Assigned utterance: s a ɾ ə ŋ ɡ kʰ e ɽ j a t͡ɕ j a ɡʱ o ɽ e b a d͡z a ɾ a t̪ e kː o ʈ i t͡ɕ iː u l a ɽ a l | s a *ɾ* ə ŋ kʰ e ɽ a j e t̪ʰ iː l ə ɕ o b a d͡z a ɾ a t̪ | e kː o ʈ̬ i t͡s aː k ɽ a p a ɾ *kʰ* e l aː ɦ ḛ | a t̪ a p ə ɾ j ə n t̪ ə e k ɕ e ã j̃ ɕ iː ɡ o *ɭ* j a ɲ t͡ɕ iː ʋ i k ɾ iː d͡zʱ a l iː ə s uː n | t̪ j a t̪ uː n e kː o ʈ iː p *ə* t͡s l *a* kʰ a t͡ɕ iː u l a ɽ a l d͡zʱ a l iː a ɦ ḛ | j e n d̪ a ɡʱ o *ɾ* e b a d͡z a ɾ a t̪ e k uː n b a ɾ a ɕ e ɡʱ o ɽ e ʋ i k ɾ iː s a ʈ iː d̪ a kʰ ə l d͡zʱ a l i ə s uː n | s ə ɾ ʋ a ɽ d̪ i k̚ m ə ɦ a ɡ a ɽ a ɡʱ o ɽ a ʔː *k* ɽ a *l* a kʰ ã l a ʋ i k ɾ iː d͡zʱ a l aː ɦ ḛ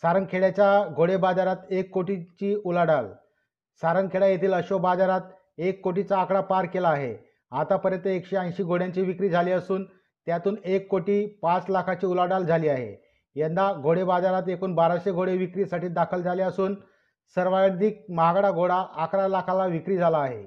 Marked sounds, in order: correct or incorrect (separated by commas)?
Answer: correct, incorrect, incorrect, incorrect, correct, incorrect, correct, correct